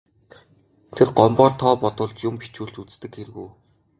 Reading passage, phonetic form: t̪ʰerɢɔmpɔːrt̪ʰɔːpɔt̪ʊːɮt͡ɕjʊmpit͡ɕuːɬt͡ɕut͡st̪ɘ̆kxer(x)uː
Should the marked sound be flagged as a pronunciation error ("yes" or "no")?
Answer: yes